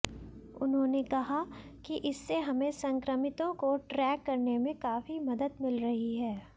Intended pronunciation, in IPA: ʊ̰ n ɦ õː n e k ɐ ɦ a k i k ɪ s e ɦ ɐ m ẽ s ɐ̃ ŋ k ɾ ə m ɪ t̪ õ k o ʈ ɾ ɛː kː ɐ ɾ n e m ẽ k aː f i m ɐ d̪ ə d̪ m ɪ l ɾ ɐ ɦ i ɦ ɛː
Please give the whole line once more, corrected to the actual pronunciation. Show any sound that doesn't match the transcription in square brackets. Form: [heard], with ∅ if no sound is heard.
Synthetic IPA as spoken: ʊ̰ n ɦ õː n e k ɐ ɦ a k i [ʔ] ɪ [sː] e ɦ ɐ m ẽ s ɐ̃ ŋ k ɾ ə m ɪ t̪ õ k o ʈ ɾ ɛː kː ɐ ɾ n e m ẽ k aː f i m ɐ d̪ ə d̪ m ɪ l ɾ ɐ ɦ i ɦ ɛː